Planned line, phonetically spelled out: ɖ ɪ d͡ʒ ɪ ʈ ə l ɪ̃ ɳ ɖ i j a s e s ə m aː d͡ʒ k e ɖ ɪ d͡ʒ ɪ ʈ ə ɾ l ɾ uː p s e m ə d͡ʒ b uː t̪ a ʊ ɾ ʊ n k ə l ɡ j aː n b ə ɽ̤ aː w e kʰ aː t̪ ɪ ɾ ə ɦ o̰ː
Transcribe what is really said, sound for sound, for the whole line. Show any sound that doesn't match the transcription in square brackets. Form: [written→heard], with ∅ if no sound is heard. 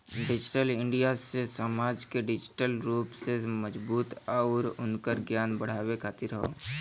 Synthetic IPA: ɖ ɪ d͡ʒ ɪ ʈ ə l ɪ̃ ɳ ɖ i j a s e s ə m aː d͡ʒ k e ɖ ɪ d͡ʒ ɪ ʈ ə [ɾ→∅] l ɾ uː p s e m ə d͡ʒ b uː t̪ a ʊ ɾ ʊ n k ə [l→ɾ] ɡ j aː n b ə ɽ̤ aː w e kʰ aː t̪ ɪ ɾ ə ɦ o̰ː

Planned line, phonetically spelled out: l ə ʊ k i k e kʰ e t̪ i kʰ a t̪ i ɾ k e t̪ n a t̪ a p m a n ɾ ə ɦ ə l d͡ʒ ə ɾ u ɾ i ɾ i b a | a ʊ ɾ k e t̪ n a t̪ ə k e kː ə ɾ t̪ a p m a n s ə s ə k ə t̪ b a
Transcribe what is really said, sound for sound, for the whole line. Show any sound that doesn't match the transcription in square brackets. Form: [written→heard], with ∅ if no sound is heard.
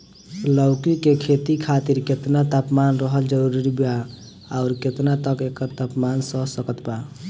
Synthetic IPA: l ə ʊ k i k e kʰ e t̪ i kʰ a t̪ i ɾ k e t̪ n a t̪ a p m a n ɾ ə ɦ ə l d͡ʒ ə ɾ u ɾ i ɾ i b a | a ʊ ɾ k e t̪ n a t̪ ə k e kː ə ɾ t̪ a p m a n s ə s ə k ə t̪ b a

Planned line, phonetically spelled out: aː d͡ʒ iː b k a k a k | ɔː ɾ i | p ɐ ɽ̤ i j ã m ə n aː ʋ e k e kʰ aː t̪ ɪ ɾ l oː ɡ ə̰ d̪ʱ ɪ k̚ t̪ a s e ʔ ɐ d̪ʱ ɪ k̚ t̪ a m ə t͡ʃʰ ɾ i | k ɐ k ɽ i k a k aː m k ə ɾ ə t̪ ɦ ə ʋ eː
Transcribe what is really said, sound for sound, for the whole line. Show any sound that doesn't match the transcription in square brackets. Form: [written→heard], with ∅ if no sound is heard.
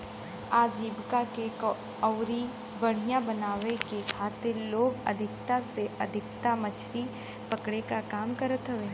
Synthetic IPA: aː d͡ʒ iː b k a k [a→e] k | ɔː ɾ i | [p→b] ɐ ɽ̤ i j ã [m→b] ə n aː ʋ e k e kʰ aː t̪ ɪ ɾ l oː ɡ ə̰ d̪ʱ ɪ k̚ t̪ a s e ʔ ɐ d̪ʱ ɪ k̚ t̪ a m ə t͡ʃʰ ɾ i | [k→p] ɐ k ɽ [i→e] k a k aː m k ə ɾ ə t̪ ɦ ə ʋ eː

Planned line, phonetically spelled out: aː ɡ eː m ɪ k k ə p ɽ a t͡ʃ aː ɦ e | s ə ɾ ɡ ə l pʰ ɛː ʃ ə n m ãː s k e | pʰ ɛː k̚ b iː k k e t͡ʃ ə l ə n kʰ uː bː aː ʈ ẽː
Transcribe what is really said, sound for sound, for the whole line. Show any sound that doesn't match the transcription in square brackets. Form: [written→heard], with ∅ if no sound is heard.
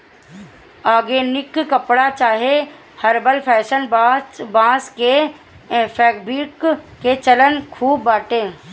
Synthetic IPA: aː ɡ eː [m→n] ɪ k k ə p ɽ a t͡ʃ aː ɦ e | [s→h] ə ɾ [ɡ→b] ə l pʰ ɛː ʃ ə n [m→b] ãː s k e | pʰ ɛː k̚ b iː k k e t͡ʃ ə l ə n kʰ uː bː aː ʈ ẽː

